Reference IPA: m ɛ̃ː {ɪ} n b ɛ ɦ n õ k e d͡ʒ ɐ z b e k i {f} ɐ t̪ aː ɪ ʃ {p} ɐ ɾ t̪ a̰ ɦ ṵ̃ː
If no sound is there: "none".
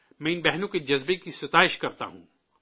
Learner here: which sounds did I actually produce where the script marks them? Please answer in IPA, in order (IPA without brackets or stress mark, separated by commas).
ɪ, s, k